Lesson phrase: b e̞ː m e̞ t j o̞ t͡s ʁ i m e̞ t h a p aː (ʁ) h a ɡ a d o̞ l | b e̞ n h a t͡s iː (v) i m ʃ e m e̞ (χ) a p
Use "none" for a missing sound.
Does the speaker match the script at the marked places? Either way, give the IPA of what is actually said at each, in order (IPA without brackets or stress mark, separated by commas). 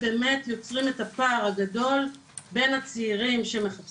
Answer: ʁ, ʁ, χ